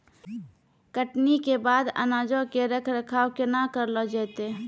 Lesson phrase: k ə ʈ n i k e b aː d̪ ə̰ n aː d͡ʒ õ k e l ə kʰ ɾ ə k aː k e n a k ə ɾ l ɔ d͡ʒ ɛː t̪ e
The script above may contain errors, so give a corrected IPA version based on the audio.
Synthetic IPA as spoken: k ə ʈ n i k e b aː d̪ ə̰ n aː d͡ʒ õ k e ɾ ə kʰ ɾ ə kʰ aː k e n a k ə ɾ l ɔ d͡ʒ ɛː t̪ e